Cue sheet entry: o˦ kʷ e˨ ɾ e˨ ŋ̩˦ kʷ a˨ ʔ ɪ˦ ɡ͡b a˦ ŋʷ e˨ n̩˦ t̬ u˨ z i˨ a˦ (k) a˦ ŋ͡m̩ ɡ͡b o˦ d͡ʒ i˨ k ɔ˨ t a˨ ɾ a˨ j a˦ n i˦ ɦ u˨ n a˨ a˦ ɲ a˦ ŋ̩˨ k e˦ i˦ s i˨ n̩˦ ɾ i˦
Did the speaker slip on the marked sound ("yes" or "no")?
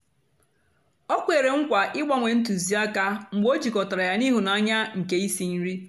no